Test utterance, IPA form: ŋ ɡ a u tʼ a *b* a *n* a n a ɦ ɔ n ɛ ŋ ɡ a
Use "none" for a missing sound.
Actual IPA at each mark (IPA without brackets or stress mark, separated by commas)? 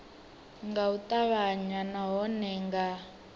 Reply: β, ɲ